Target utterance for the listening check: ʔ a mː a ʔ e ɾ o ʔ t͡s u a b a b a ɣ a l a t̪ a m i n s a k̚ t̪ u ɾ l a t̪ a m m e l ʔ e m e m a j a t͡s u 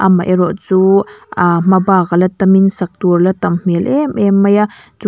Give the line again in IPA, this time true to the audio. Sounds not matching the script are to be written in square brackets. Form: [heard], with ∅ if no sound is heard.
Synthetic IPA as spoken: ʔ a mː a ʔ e ɾ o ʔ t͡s u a [m] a b a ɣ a l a t̪ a m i n s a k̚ t̪ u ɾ l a t̪ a m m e l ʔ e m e m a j a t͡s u